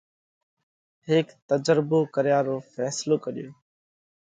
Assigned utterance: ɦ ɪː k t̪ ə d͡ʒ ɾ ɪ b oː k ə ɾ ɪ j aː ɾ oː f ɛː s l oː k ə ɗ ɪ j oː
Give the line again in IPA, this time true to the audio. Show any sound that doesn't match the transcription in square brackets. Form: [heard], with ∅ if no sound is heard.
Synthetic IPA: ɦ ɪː k t̪ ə d͡ʒ ɾ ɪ b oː k ə ɾ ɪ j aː ɾ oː f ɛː s l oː k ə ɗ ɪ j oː

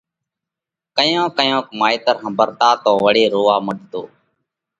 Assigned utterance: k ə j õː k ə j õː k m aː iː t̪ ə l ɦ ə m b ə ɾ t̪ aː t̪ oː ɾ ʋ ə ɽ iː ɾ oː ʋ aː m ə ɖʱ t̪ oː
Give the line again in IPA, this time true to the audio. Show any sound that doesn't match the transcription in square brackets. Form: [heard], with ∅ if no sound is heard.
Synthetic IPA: k ə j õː k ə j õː k m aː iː t̪ ə [ɾ] ɦ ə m b ə ɾ t̪ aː t̪ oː [∅] ʋ ə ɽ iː ɾ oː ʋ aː m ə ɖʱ t̪ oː

